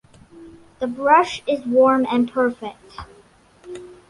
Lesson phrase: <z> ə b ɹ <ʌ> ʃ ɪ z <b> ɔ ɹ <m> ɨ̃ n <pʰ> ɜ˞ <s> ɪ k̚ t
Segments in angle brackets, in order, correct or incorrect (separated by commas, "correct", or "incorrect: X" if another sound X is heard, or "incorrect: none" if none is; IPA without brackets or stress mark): incorrect: ð, correct, incorrect: w, correct, correct, incorrect: f